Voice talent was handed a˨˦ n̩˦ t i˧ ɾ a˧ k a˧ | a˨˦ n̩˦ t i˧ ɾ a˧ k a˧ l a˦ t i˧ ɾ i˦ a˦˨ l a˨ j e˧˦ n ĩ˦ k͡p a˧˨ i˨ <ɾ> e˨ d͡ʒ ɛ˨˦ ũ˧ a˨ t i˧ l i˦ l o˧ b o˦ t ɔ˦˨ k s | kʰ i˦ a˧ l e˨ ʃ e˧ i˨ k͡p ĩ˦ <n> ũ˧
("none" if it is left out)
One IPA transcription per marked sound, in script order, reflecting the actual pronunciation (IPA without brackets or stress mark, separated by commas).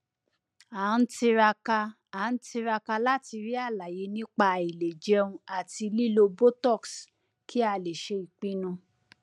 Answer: l, n